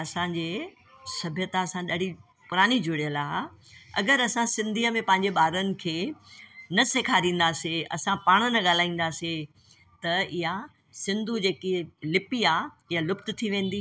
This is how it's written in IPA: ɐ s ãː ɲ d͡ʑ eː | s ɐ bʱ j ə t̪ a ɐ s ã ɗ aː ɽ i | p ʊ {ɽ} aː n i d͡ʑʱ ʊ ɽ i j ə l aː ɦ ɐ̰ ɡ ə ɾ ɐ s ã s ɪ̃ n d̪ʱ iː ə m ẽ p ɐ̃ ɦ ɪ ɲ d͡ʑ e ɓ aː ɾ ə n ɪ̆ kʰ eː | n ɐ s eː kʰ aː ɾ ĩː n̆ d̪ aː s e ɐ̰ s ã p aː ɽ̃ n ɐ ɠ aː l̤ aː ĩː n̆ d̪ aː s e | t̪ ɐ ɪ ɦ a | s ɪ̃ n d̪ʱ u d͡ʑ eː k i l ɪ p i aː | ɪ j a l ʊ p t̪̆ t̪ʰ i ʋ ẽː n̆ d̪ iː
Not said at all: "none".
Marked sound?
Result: ɾ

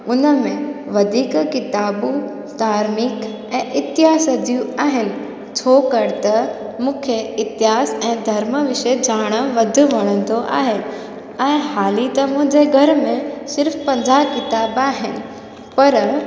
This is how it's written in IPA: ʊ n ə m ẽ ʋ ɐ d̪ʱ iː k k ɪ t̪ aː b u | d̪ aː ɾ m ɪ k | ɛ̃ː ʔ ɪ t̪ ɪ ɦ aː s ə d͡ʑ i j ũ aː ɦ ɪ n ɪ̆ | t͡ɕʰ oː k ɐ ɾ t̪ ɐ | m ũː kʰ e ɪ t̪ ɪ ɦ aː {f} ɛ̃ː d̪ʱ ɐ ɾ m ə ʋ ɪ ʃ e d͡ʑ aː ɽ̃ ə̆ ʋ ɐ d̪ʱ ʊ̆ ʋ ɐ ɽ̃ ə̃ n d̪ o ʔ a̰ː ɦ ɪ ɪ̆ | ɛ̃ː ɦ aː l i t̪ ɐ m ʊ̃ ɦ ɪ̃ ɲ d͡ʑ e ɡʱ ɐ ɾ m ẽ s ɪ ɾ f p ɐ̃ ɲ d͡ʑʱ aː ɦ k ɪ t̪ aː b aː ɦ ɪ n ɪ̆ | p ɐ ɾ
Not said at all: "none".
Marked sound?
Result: s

